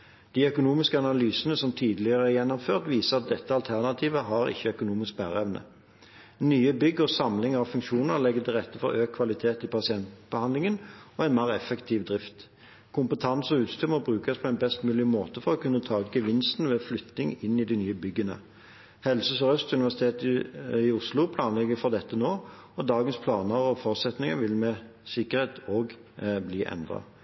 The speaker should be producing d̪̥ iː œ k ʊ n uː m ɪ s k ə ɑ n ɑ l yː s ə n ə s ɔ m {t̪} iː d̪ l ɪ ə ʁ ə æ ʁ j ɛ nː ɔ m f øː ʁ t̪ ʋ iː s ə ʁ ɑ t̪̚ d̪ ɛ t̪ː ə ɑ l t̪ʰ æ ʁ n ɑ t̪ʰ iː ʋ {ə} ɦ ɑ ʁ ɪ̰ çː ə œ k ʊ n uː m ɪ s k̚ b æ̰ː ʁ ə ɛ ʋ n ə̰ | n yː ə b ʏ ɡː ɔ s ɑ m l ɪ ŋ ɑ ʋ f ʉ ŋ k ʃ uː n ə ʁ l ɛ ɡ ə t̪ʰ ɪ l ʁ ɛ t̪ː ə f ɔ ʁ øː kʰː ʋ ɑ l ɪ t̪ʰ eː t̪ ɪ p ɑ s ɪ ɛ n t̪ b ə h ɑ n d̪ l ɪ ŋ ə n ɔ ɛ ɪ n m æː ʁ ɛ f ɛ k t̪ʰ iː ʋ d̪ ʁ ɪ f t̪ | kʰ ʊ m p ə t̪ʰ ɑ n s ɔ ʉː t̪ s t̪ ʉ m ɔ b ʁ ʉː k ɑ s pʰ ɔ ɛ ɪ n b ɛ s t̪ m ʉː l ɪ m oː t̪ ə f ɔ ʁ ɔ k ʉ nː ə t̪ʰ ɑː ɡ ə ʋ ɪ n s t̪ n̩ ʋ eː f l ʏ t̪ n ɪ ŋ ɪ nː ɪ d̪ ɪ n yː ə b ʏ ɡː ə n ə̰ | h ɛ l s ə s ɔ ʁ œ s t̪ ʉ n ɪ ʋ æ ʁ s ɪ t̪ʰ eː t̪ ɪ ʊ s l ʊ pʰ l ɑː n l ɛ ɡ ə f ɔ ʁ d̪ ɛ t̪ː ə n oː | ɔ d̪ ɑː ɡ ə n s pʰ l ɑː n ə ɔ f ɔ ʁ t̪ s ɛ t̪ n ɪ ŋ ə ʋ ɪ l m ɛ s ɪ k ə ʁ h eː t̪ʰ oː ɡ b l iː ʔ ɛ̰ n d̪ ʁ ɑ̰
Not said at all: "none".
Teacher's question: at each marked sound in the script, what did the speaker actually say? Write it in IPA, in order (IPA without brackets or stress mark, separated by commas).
t̪ʰ, ə